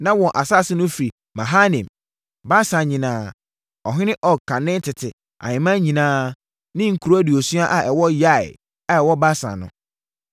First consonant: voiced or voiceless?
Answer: voiced